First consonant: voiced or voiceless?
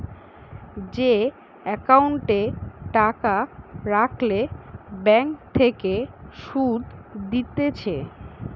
voiced